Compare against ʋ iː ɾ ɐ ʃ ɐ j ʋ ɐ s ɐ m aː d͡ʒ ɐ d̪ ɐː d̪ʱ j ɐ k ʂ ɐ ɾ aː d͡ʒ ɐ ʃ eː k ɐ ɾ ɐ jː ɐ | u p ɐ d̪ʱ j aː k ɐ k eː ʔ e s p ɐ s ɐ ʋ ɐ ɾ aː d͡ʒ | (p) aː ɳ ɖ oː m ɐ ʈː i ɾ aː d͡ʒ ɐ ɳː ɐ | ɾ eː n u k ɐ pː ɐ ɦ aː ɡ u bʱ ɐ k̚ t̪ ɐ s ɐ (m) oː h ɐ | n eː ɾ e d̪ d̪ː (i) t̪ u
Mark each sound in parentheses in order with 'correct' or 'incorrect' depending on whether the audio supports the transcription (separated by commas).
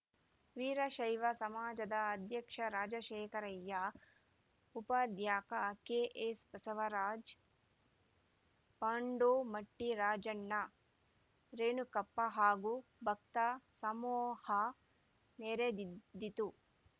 correct, correct, correct